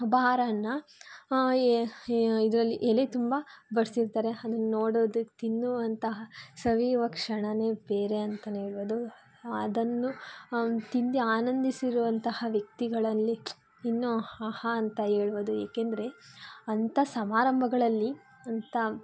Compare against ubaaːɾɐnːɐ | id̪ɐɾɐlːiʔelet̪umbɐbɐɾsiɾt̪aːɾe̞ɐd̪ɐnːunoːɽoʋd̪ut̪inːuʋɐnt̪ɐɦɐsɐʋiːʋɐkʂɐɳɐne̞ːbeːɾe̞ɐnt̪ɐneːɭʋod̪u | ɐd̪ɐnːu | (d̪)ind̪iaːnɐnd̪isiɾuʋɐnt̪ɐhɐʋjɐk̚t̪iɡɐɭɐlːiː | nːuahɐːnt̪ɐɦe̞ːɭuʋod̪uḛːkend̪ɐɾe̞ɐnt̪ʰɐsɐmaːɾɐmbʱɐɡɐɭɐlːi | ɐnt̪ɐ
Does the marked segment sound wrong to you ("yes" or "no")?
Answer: yes